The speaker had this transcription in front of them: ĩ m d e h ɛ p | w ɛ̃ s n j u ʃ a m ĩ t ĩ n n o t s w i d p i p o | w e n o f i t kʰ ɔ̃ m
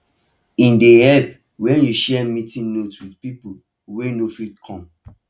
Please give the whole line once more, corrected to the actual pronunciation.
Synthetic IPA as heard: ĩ n d e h ɛ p | w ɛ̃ n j u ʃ ɛ m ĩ t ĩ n n o t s w i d p i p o | w e n o f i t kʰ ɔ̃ m